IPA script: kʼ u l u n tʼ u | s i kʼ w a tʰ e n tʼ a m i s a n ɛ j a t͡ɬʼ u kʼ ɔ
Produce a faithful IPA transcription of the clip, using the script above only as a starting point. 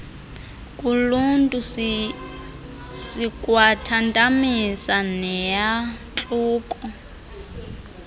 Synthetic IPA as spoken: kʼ u l u n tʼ u | s i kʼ w a tʰ a n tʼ a m i s a n ɛ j a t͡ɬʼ uː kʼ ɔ